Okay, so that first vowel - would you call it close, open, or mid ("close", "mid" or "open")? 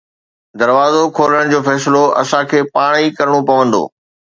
open